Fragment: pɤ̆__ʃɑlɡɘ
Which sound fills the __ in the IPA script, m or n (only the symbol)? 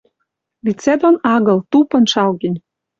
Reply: n